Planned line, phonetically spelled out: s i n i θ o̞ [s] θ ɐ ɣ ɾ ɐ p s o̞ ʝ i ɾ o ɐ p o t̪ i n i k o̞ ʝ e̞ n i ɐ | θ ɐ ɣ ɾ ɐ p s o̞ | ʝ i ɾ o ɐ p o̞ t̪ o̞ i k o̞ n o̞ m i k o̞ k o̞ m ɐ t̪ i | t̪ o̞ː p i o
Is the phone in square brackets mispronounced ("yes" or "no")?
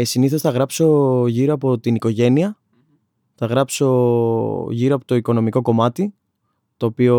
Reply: no